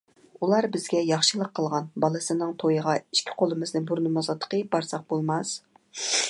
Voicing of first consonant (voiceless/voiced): voiced